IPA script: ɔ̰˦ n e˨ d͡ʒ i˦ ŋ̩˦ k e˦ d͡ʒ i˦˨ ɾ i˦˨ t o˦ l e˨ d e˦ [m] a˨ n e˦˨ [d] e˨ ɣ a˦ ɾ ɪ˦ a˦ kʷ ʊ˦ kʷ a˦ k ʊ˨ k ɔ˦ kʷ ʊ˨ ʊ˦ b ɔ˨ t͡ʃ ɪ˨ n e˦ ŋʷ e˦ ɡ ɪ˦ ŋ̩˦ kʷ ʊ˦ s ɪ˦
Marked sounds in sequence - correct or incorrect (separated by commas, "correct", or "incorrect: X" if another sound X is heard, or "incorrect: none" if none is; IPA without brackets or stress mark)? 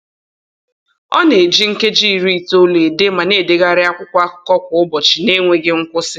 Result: correct, correct